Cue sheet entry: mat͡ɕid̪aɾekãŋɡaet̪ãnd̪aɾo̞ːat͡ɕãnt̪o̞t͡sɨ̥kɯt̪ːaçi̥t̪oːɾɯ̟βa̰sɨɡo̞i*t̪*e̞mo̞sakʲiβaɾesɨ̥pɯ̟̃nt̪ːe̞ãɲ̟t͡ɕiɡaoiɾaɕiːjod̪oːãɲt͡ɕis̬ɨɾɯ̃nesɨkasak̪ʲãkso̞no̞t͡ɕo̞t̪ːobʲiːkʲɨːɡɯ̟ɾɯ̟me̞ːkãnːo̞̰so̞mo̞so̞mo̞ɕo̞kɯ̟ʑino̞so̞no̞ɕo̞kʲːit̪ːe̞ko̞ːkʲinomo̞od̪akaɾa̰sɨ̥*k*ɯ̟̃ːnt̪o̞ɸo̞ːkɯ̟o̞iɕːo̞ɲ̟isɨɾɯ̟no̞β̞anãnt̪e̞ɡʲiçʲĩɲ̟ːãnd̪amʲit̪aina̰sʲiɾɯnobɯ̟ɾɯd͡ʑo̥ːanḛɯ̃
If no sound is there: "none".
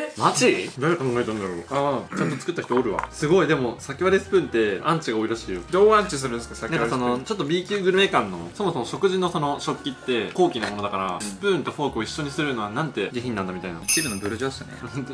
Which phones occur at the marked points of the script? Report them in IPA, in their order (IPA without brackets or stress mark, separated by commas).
d̪, p